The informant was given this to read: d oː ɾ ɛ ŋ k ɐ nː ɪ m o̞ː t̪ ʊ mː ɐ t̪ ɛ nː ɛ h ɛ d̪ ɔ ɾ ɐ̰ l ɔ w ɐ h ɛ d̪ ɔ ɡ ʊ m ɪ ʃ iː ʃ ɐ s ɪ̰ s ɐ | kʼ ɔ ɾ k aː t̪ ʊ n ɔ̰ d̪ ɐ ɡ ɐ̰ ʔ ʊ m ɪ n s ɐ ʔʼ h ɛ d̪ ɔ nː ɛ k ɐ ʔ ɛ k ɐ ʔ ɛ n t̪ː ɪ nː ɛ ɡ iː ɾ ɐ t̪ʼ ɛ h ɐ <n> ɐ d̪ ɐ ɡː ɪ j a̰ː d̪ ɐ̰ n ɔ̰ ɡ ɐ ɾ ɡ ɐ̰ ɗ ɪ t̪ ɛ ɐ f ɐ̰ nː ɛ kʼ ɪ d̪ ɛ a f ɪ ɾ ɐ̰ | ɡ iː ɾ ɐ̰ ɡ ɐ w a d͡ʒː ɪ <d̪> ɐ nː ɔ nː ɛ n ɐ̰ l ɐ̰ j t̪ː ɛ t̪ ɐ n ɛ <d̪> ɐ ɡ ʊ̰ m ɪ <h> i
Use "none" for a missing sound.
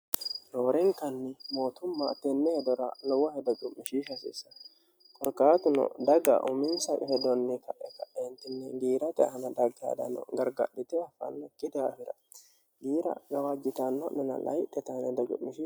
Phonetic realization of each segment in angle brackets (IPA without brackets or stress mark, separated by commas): n, t̪, d̪, ʃ